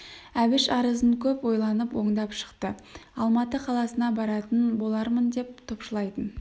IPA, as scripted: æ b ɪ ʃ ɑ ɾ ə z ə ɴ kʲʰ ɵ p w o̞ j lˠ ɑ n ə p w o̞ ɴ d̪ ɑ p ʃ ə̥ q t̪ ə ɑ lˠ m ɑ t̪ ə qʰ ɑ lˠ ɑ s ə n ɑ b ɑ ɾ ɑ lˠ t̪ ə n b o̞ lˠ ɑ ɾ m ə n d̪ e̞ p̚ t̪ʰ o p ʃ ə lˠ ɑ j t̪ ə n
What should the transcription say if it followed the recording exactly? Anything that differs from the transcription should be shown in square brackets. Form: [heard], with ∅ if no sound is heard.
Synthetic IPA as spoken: æ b ɪ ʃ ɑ ɾ ə z ə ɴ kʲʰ ɵ p w o̞ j lˠ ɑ n ə p w o̞ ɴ d̪ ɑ p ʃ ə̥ q t̪ ə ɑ lˠ m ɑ t̪ ə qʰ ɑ lˠ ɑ s ə n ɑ b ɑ ɾ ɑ [∅] t̪ ə n b o̞ lˠ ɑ ɾ m ə n d̪ e̞ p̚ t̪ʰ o p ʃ ə lˠ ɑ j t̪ ə n

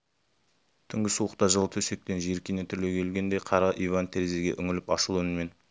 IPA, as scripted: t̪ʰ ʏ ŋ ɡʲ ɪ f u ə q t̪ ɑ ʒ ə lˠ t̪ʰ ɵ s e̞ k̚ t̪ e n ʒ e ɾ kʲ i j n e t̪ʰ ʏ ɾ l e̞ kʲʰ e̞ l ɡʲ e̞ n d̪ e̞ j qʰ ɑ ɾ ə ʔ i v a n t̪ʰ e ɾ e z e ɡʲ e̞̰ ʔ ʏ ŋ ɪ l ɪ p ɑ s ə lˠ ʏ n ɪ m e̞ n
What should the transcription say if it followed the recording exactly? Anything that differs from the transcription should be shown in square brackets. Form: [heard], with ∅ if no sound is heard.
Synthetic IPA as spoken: t̪ʰ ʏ ŋ ɡʲ ɪ [s] u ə q t̪ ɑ ʒ ə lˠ t̪ʰ ɵ s e̞ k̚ t̪ e n ʒ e ɾ kʲ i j n e t̪ʰ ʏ ɾ l e̞ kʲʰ e̞ l ɡʲ e̞ n d̪ e̞ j qʰ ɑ ɾ [ɑ] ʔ i v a n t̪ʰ e ɾ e z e ɡʲ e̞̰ ʔ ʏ ŋ ɪ l ɪ p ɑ [ʃ] ə lˠ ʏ n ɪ m e̞ n

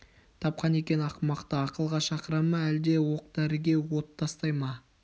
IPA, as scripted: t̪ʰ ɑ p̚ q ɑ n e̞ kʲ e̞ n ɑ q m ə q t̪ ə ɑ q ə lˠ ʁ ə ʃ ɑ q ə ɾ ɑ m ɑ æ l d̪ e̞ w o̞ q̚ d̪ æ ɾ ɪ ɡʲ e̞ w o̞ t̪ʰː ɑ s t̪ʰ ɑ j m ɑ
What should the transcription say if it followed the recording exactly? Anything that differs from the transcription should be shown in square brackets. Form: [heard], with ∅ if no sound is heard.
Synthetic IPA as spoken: t̪ʰ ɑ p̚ q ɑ n e̞ kʲ e̞ n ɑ q m [ɑ] q t̪ ə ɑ q ə lˠ ʁ [ɑ] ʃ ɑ q ə ɾ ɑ m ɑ æ l d̪ e̞ w o̞ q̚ d̪ æ ɾ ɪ ɡʲ e̞ w o̞ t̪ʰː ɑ s [t̪] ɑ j m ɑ

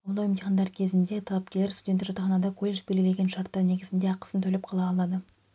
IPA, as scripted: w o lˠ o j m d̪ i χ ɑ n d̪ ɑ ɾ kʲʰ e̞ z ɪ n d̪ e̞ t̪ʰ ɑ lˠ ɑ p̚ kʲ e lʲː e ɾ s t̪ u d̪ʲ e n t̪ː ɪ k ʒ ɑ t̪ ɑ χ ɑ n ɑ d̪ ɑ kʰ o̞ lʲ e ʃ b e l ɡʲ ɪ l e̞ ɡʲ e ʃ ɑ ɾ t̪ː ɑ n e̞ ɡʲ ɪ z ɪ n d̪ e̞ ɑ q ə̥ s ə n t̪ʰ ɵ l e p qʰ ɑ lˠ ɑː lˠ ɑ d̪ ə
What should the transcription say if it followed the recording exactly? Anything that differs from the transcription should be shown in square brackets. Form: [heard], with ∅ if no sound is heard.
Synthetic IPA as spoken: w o lˠ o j m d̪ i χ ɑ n d̪ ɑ ɾ kʲʰ e̞ z ɪ n d̪ e̞ t̪ʰ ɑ lˠ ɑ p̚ kʲ e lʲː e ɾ s t̪ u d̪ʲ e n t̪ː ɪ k ʒ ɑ t̪ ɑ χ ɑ n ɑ d̪ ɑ kʰ o̞ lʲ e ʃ b e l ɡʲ ɪ l e̞ ɡʲ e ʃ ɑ ɾ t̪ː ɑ n e̞ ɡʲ ɪ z ɪ n d̪ e̞ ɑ q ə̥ s ə n t̪ʰ ɵ l e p qʰ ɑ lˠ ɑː lˠ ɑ d̪ ə

